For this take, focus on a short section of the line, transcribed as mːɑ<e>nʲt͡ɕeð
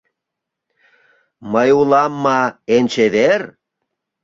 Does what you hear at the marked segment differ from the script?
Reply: no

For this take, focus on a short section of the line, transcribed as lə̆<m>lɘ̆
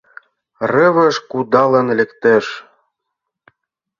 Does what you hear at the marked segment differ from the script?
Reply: yes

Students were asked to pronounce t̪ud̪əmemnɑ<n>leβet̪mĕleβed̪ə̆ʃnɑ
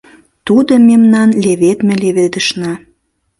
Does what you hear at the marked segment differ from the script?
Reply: no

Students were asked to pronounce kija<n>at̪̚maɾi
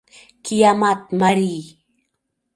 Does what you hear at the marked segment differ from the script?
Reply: yes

